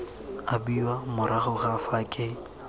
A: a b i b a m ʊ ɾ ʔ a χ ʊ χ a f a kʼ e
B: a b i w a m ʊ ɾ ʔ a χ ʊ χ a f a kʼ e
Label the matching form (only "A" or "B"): B